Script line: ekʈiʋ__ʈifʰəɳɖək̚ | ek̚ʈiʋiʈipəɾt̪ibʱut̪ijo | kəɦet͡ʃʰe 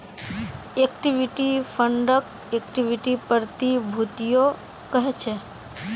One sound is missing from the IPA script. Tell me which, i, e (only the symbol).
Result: i